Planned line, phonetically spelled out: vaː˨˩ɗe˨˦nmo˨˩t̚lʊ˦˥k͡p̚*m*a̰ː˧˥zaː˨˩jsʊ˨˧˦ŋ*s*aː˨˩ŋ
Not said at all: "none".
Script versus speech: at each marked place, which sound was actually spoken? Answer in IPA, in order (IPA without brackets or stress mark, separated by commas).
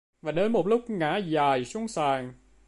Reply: ŋ, s